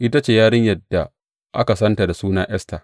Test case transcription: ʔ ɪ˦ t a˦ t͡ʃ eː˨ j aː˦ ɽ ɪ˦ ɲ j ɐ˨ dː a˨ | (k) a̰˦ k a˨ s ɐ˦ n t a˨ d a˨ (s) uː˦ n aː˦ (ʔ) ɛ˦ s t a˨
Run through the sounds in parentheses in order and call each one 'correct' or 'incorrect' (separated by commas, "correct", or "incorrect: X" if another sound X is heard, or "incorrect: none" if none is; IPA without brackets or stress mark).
incorrect: ʔ, correct, correct